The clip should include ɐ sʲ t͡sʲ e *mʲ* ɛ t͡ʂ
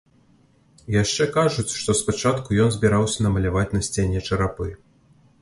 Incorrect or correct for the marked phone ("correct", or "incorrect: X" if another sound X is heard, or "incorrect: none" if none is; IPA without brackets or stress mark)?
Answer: incorrect: nʲ